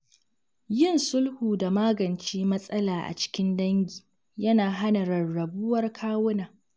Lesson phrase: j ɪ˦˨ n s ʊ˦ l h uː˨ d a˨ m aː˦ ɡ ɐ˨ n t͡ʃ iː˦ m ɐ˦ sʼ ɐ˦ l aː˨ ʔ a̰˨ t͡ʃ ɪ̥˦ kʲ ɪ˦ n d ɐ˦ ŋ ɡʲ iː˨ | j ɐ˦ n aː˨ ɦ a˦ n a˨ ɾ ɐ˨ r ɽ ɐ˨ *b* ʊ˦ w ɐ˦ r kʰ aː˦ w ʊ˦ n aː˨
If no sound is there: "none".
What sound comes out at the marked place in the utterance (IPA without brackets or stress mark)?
b